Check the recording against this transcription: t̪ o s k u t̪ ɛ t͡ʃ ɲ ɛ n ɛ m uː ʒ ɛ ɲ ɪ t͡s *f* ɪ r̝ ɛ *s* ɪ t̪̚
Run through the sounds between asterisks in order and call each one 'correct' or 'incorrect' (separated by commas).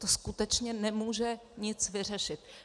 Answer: incorrect, incorrect